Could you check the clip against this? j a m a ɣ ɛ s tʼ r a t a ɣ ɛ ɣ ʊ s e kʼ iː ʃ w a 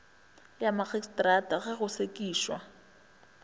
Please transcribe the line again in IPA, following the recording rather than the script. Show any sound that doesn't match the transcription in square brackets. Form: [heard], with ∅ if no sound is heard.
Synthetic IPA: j a m a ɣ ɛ s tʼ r a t a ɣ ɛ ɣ ʊ s e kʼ iː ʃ w a